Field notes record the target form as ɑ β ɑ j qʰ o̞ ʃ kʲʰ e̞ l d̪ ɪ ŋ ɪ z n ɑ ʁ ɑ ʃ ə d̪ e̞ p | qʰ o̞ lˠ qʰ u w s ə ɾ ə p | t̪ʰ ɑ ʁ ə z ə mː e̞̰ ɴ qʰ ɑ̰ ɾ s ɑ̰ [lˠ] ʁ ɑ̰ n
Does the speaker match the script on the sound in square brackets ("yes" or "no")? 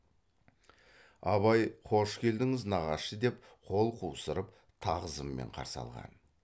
yes